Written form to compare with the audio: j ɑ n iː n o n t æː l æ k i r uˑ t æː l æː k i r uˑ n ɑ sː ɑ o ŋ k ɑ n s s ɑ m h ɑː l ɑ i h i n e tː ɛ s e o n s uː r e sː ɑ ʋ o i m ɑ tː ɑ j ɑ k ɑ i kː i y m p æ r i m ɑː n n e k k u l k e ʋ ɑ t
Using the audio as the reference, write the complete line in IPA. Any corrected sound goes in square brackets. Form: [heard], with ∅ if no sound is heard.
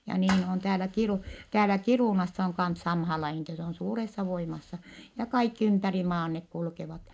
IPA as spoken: j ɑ n iː n o n t æː l æ k i r uˑ t æː l [æ] k i r uˑ n ɑ sː ɑ o ŋ k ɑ n s s ɑ m h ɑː l ɑ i h i n e tː ɛ s e o n s uː r e sː ɑ ʋ o i m ɑ [sː] ɑ j ɑ k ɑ i kː i y m p æ r i m ɑː n n e k k u l k e ʋ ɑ t